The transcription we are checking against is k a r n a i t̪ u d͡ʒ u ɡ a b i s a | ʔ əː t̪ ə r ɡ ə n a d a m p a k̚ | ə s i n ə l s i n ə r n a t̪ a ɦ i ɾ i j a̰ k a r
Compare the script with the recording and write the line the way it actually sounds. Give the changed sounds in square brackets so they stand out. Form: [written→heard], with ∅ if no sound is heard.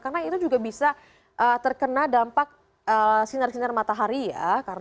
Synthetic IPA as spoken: k a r n a i t̪ u d͡ʒ u ɡ a b i s a | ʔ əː t̪ ə r [ɡ→k] ə n a d a m p a k̚ | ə s i n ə [l→r] s i n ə r [n→m] a t̪ a ɦ [i→a] ɾ i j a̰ k a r